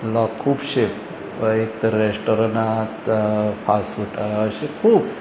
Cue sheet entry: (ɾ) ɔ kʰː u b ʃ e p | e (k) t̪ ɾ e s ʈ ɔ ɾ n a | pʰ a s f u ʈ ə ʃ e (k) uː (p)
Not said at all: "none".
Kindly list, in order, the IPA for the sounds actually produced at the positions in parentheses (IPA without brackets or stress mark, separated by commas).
l, k, kʰ, b